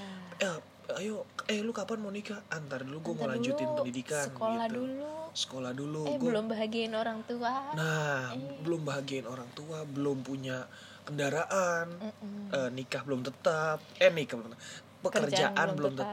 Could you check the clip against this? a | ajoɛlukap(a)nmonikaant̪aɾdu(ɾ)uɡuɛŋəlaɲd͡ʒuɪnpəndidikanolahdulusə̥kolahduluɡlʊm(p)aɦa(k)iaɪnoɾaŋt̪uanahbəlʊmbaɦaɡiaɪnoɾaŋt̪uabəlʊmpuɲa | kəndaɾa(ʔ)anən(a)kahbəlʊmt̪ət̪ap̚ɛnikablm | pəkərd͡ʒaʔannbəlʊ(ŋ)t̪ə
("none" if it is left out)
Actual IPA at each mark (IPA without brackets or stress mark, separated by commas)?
a, l, b, ɡ, ʔ, i, m